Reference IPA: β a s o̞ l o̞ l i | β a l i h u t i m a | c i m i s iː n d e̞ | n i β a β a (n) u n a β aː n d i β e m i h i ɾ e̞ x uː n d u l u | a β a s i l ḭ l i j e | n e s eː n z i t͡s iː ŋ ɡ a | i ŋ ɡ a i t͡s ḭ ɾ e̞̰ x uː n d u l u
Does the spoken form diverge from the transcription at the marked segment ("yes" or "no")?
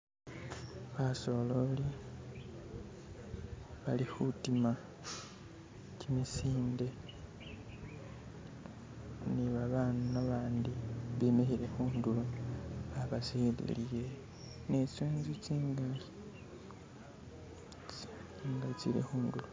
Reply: no